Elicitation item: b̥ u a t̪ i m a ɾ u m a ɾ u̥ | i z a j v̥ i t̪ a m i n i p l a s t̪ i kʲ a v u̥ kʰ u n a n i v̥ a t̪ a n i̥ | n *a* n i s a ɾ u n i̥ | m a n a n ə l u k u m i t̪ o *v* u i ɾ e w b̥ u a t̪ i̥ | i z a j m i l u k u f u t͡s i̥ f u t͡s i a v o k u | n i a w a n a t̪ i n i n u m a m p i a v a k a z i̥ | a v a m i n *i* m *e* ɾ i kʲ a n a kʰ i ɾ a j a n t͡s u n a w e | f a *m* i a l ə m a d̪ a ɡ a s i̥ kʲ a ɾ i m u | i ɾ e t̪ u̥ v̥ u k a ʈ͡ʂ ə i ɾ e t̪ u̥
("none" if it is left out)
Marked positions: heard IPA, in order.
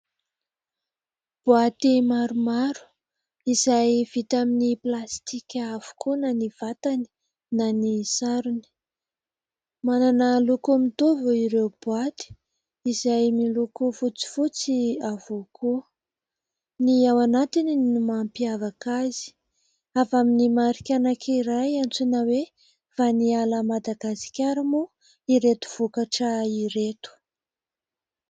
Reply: a, v, i, a, n

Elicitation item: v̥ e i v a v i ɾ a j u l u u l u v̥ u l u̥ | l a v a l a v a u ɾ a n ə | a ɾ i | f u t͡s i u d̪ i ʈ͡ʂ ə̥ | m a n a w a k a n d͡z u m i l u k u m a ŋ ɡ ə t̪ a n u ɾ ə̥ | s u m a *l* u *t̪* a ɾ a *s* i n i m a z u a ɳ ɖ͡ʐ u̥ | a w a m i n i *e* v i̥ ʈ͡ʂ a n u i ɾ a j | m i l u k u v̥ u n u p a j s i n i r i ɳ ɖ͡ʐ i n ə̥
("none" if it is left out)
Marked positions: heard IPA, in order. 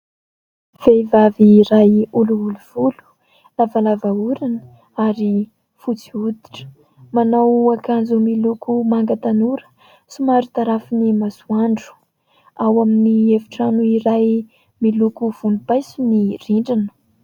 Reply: ɾ, t̪, f, e

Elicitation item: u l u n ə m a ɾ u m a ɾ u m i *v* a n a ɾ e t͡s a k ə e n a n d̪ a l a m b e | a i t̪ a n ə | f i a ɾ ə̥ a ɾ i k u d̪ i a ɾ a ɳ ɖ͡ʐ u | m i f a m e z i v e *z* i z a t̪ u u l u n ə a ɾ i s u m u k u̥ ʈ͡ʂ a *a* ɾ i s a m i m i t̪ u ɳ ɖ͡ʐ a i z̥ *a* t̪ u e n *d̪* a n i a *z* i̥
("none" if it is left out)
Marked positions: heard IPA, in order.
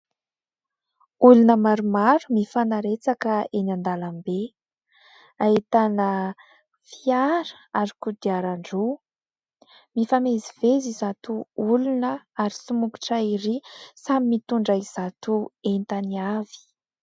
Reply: f, z, i, a, t̪, v

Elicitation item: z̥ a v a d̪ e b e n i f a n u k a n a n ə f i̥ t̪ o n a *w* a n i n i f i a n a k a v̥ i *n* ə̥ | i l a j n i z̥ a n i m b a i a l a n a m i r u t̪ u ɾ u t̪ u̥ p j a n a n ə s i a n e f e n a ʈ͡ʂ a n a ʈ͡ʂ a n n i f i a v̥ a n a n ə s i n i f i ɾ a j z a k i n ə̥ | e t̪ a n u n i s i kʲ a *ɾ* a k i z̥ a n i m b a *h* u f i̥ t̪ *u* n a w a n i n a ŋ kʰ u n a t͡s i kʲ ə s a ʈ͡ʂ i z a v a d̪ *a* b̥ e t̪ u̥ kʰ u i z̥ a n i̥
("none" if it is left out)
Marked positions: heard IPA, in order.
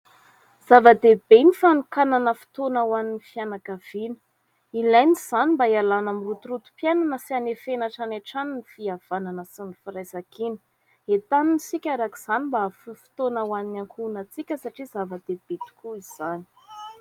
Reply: w, n, ɾ, f, o, e

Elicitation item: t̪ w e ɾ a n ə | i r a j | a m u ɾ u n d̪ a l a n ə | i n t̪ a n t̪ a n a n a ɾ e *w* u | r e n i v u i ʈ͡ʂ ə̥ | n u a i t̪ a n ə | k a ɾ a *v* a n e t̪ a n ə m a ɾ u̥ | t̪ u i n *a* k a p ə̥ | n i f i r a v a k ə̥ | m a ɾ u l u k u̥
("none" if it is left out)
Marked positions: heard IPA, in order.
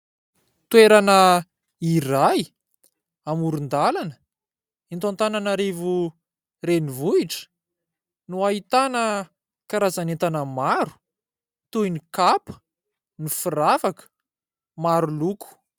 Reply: v, z, i

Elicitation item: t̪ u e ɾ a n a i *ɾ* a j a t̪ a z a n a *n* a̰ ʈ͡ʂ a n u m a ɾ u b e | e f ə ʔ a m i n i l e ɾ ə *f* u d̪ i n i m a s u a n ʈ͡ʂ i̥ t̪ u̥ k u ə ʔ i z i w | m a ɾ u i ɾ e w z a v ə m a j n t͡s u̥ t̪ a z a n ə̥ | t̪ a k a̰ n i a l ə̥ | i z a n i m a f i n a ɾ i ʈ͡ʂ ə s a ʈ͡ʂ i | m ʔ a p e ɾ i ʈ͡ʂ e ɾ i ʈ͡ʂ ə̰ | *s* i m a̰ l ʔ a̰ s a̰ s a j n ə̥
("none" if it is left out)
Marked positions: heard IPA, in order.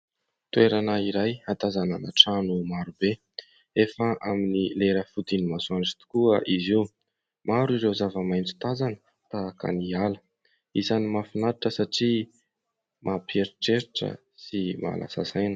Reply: ɾ, n, f, s

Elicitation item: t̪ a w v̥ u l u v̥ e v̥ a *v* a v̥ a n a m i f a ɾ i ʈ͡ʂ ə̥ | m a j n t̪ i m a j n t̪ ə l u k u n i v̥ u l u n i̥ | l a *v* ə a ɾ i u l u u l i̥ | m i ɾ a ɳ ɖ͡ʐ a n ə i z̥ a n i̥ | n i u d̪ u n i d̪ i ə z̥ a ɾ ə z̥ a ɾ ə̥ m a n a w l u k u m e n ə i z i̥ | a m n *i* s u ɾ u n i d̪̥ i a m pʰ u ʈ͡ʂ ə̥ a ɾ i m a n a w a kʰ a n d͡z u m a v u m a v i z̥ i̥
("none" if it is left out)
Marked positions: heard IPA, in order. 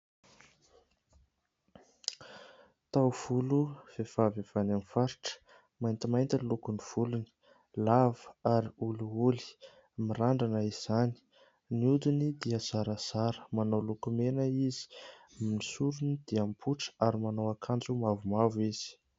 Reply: v, v, i

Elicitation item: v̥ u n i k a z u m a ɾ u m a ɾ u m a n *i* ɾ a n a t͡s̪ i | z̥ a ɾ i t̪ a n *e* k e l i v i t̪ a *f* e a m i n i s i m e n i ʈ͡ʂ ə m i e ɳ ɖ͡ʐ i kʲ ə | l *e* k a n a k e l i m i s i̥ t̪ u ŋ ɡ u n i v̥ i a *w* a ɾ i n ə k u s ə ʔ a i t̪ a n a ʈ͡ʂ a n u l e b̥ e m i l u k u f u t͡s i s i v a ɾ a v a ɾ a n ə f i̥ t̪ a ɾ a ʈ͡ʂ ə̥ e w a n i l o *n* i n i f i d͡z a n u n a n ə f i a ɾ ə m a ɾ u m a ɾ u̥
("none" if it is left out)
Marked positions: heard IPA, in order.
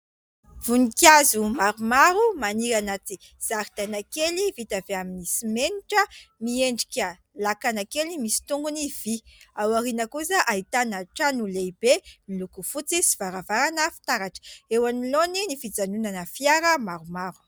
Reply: i, a, v, a, w, n

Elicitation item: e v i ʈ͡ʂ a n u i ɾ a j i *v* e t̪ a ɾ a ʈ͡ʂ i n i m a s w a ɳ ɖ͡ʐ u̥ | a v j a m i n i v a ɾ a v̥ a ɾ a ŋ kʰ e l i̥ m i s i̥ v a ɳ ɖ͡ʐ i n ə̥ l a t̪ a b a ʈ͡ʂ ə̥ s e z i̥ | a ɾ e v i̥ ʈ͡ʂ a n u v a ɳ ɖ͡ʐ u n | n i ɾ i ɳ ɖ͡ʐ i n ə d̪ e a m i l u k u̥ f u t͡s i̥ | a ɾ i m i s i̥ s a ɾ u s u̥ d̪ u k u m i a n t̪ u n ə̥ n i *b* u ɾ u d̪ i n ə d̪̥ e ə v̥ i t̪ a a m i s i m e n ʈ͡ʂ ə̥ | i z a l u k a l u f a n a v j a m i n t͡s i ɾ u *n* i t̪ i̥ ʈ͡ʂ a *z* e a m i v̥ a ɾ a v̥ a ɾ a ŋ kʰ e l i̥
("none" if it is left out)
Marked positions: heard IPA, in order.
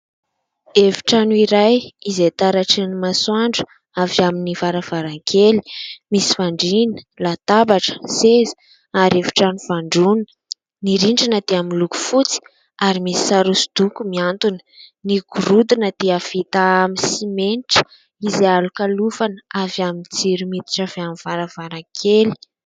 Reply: z, ɡ, m, v

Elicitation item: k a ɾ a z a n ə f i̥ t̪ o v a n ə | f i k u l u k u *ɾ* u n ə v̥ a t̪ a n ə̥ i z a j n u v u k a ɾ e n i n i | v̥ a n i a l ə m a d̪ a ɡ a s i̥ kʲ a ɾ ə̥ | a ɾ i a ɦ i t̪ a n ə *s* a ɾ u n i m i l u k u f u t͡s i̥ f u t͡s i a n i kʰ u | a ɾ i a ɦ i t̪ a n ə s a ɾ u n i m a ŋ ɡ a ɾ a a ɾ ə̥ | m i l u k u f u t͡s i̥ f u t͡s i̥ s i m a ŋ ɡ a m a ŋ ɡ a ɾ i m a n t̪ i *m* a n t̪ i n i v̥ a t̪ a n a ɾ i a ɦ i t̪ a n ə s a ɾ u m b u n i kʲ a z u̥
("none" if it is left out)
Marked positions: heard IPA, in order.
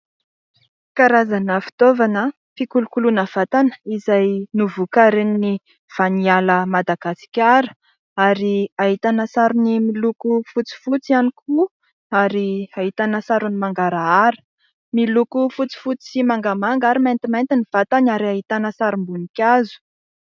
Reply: l, s, m

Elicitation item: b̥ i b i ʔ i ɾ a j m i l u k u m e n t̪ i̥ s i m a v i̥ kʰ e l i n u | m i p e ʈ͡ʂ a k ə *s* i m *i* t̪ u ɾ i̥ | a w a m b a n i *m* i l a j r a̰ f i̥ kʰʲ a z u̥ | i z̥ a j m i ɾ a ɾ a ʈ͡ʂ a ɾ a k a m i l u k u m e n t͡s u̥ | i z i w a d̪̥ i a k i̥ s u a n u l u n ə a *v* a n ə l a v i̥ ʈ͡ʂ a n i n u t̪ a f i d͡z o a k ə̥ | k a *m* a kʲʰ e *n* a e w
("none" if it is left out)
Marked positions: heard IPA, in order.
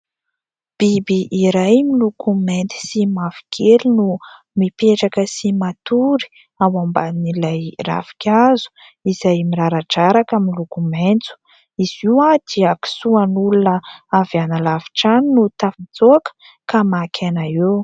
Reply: s, a, n, v, m, n

